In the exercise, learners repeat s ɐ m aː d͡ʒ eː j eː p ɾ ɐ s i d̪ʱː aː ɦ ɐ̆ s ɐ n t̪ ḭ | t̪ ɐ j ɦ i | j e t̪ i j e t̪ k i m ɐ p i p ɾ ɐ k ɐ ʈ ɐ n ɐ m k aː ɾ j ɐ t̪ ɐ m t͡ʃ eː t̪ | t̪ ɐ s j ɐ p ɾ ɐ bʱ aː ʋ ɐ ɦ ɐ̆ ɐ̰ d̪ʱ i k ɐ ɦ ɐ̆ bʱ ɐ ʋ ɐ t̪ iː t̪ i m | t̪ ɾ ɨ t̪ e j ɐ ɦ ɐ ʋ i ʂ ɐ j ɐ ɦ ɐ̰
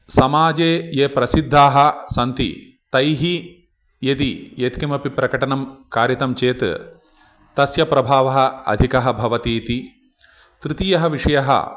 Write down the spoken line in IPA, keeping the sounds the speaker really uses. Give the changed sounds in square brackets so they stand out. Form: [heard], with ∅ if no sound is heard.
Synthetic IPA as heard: s ɐ m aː d͡ʒ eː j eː p ɾ ɐ s i d̪ʱː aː ɦ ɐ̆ s ɐ n t̪ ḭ | t̪ ɐ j ɦ i | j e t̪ i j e t̪ k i m ɐ p i p ɾ ɐ k ɐ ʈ ɐ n ɐ m k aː ɾ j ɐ t̪ ɐ m t͡ʃ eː t̪ | t̪ ɐ s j ɐ p ɾ ɐ bʱ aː ʋ ɐ ɦ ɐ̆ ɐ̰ d̪ʱ i k ɐ ɦ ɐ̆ bʱ ɐ ʋ ɐ t̪ iː t̪ i [∅] | t̪ ɾ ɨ t̪ [i] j ɐ ɦ ɐ ʋ i ʂ ɐ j ɐ ɦ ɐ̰